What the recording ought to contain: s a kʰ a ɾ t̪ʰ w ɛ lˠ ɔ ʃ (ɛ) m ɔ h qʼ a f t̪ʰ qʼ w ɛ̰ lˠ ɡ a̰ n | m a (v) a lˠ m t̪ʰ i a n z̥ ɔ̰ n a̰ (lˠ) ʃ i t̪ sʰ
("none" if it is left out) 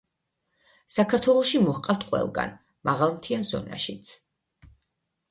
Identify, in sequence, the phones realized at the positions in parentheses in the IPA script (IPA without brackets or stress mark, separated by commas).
i, ʁ, none